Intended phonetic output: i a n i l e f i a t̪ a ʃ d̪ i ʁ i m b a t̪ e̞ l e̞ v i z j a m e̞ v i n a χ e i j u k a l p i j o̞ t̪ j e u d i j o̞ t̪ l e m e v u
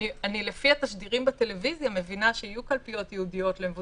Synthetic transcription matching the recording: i a n i l e f i a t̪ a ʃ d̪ i ʁ i m b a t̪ e̞ l e̞ v i z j a m e̞ v i n a ʃ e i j u k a l p i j o̞ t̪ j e u d i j o̞ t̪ l e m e v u